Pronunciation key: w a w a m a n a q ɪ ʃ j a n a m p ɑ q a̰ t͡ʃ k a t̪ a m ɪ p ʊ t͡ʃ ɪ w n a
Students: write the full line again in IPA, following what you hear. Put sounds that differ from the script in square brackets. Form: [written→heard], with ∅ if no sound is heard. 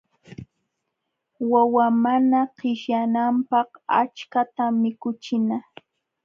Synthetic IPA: w a w a m a n a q ɪ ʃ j a n a m p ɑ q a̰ t͡ʃ k a t̪ a m ɪ [p→k] ʊ t͡ʃ ɪ [w→∅] n a